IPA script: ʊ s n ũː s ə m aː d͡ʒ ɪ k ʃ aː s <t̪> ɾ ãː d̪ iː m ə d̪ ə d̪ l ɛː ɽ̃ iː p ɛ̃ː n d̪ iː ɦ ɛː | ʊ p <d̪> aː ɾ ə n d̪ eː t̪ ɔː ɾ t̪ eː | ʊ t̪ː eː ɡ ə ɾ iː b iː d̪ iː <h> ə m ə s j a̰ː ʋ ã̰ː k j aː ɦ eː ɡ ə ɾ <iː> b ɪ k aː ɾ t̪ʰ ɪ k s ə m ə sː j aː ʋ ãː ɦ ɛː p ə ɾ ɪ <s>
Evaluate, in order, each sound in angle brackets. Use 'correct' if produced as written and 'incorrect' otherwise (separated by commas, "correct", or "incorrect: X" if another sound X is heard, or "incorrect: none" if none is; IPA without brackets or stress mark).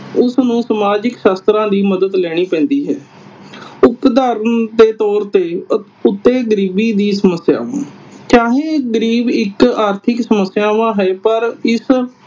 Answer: correct, correct, incorrect: s, correct, correct